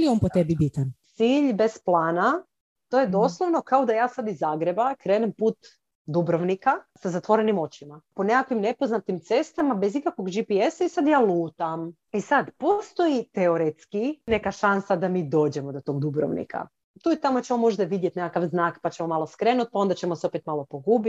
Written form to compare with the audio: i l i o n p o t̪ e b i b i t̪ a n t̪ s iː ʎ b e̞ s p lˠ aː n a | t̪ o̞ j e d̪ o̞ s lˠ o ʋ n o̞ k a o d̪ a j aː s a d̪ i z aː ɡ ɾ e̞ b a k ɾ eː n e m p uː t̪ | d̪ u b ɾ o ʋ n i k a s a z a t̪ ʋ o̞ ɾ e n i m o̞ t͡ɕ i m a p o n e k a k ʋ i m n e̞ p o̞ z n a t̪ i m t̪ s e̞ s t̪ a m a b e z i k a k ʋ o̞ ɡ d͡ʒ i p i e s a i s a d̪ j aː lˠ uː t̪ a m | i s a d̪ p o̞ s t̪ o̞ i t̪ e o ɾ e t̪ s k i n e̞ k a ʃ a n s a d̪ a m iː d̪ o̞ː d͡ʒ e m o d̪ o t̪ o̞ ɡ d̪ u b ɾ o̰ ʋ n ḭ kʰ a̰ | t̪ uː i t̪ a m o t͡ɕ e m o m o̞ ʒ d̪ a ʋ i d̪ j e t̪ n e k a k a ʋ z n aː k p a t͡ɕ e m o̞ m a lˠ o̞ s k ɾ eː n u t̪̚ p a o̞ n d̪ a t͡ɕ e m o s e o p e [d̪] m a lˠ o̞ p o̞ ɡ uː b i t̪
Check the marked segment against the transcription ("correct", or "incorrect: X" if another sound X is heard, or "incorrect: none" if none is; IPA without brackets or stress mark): incorrect: t̪